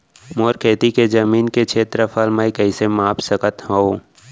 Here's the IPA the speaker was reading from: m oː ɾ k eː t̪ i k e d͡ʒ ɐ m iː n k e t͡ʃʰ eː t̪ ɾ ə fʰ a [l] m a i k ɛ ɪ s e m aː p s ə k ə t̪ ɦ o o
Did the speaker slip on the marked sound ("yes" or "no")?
no